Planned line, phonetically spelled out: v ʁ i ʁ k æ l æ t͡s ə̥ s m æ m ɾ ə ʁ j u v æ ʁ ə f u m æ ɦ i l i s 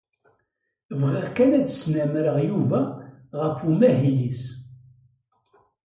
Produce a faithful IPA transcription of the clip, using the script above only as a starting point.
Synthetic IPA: v ʁ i ʁ k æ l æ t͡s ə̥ s n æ m ɾ ə ʁ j u v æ ʁ ə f u m æ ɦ i l i s